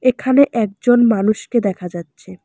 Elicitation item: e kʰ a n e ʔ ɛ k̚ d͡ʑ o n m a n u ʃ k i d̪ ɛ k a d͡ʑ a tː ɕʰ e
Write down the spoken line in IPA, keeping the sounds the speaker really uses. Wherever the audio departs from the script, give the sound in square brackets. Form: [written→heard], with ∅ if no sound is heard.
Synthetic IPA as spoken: e kʰ a n e ʔ ɛ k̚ d͡ʑ o n m a n u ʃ k [i→e] d̪ ɛ [k→kʰ] a d͡ʑ a tː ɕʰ e